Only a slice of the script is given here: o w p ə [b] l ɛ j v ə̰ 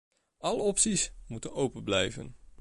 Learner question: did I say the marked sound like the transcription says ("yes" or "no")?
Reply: yes